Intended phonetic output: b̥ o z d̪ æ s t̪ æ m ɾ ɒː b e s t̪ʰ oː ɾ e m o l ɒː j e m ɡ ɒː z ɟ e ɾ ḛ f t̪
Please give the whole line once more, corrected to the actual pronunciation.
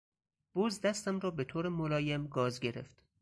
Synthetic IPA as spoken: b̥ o z d̪ æ s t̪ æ m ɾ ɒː b e t̪ʰ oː ɾ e m o l ɒː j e m ɡ ɒː z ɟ e ɾ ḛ f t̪